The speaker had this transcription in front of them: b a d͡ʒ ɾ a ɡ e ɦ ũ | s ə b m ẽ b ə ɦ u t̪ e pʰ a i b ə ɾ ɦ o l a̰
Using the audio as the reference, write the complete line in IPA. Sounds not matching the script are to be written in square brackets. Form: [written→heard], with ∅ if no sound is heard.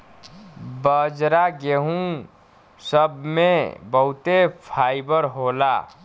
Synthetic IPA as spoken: b [a→ə] d͡ʒ ɾ a ɡ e ɦ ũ | s ə b m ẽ b ə ɦ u t̪ e pʰ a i b ə ɾ ɦ o l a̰